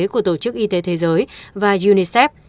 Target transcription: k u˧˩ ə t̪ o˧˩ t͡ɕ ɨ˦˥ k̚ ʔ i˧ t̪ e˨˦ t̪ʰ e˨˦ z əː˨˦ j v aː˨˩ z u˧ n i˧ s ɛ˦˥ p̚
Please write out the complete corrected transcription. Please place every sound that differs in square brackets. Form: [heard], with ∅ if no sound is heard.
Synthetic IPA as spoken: k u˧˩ ə t̪ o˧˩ t͡ɕ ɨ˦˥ k̚ ʔ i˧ t̪ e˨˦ t̪ʰ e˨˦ z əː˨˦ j v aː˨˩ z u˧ n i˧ s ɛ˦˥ p̚